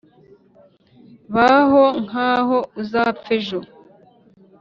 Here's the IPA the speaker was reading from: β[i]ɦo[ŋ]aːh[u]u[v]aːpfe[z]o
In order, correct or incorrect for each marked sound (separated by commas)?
incorrect, correct, incorrect, incorrect, incorrect